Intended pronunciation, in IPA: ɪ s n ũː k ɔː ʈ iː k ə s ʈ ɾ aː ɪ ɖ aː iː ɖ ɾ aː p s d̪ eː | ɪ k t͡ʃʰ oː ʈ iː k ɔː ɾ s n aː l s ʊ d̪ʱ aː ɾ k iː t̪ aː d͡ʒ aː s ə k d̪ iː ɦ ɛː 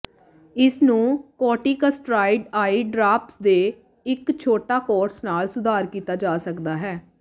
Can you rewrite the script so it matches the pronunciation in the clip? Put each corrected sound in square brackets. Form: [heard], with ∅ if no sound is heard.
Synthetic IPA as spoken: ɪ s n ũː k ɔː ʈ iː k ə s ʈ ɾ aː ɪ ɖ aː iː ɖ ɾ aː p s d̪ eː | ɪ k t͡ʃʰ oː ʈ [aː] k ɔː ɾ s n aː l s ʊ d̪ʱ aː ɾ k iː t̪ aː d͡ʒ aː s ə k d̪ [aː] ɦ ɛː